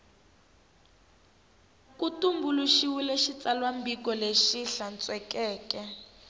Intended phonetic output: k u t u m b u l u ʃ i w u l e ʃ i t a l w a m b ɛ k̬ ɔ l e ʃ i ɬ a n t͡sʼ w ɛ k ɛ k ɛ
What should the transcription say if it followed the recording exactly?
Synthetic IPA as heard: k u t u m b u l u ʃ i w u l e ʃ i t͡s a l w a m b i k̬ ɔ l e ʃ i ɬ a n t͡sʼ w ɛ k ɛː k ɛ